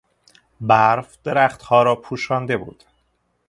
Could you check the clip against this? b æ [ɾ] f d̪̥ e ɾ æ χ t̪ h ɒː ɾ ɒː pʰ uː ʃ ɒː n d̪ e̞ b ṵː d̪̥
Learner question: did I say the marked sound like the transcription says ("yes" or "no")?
yes